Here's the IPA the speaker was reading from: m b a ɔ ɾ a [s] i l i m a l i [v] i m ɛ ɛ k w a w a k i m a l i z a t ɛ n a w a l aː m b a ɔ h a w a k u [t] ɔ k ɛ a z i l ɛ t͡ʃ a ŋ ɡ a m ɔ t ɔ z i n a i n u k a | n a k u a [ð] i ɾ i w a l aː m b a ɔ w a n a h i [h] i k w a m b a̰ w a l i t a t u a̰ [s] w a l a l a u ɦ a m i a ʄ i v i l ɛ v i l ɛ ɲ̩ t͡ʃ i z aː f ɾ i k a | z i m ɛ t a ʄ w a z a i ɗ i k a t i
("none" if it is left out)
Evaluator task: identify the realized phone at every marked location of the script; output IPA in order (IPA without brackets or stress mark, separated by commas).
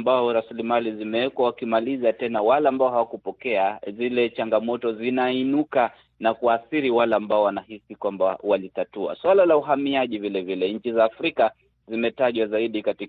s, z, p, θ, s, s